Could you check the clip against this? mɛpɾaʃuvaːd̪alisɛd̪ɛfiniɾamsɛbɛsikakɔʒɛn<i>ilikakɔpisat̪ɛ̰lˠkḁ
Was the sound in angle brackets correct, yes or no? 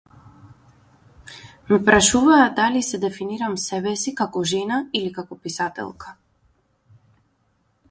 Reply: no